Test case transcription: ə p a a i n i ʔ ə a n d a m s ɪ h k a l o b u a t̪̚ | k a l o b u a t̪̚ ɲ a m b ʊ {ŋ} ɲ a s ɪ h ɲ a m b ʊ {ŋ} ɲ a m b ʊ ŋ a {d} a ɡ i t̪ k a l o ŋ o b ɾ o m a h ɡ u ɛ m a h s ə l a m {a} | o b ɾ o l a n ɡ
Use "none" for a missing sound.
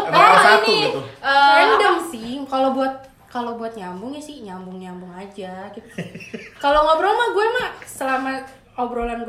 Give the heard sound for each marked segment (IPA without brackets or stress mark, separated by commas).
ŋ, ŋ, d͡ʒ, a